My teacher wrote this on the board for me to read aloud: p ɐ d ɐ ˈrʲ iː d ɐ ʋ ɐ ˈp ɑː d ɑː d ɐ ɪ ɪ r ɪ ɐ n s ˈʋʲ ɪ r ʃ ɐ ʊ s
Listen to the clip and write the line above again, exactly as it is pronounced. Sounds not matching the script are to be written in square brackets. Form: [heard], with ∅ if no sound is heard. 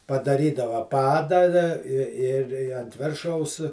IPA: p ɐ d ɐ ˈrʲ iː d ɐ ʋ ɐ ˈp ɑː d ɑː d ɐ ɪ ɪ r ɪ ɐ n [t] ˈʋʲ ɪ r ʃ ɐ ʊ s